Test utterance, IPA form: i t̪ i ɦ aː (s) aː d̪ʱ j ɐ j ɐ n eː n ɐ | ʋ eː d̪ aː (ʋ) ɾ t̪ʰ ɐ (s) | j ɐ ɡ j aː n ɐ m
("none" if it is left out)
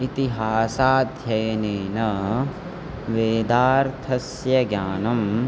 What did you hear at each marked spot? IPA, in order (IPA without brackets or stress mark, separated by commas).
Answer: s, none, s